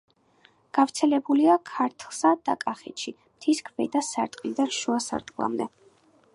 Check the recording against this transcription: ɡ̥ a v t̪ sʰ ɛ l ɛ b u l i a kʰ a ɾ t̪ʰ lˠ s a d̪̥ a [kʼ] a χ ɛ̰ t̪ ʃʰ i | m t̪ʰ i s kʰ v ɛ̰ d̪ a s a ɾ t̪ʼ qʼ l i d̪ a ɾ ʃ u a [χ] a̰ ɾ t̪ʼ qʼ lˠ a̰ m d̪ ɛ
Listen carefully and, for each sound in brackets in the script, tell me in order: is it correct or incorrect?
correct, incorrect

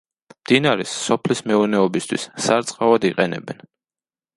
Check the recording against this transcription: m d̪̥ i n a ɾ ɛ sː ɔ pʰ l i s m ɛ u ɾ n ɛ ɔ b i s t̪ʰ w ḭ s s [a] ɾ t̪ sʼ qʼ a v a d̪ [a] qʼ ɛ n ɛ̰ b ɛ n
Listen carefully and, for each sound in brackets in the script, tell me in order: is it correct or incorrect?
correct, incorrect

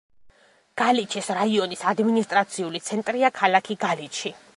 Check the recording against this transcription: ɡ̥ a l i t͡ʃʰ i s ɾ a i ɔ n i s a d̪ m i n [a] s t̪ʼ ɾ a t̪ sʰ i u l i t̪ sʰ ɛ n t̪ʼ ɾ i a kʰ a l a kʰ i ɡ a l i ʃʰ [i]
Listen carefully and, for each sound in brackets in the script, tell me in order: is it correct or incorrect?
incorrect, correct

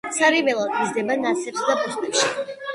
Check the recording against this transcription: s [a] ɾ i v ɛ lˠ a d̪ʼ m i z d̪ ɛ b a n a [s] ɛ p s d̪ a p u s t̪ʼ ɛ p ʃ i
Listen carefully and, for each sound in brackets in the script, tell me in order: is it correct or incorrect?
correct, correct

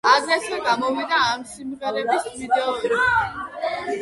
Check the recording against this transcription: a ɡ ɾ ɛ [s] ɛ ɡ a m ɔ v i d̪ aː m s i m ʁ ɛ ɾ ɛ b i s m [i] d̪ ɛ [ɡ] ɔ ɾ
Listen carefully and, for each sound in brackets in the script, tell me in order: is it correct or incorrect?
correct, correct, incorrect

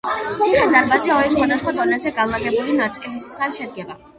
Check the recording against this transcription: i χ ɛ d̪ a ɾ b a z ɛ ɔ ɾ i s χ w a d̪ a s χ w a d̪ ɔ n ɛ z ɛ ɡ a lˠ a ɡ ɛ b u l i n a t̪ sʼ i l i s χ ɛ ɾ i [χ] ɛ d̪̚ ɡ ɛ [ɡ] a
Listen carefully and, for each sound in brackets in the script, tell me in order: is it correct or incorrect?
incorrect, incorrect

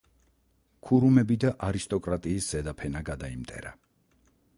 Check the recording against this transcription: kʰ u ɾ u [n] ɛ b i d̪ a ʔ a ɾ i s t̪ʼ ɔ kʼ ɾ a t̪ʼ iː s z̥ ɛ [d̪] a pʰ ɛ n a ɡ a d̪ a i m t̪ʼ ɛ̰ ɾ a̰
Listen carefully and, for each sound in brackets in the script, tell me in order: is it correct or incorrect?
incorrect, correct

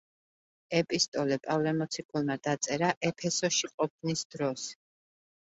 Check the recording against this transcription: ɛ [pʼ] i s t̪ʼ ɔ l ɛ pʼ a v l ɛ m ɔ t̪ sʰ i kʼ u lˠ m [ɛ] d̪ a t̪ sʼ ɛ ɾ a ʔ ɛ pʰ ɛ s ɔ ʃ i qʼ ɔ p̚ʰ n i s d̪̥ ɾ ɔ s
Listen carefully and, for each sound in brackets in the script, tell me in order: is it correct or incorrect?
correct, incorrect

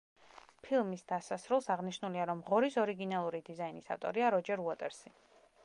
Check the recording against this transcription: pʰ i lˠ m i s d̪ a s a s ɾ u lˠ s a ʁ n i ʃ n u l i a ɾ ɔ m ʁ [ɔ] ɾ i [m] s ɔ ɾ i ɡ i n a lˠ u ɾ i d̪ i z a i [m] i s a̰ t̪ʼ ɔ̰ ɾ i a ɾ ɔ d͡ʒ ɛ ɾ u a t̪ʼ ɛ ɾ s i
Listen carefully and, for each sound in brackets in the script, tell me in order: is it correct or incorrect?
correct, incorrect, incorrect

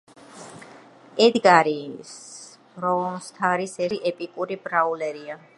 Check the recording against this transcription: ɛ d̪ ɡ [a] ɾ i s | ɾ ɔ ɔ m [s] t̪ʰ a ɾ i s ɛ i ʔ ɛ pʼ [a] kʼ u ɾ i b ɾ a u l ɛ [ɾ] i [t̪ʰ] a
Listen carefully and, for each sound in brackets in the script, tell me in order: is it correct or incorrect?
correct, correct, incorrect, correct, incorrect

